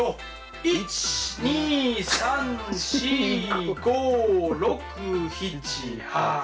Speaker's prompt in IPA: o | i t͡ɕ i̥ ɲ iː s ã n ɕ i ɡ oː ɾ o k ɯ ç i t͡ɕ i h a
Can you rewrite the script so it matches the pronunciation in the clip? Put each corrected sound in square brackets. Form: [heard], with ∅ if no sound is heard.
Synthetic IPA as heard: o | i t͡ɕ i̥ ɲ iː s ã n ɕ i ɡ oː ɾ o k ɯ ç i t͡ɕ i h a